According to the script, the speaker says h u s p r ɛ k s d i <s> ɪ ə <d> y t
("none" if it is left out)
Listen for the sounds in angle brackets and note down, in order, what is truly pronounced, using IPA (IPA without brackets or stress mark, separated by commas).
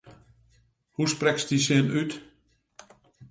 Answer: s, n